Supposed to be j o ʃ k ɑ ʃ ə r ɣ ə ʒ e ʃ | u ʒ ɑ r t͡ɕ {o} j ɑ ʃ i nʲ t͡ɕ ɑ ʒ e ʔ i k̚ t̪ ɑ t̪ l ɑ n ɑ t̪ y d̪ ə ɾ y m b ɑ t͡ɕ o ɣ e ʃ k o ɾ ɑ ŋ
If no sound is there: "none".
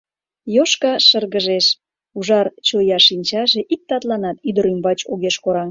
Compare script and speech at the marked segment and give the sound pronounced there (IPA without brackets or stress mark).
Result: o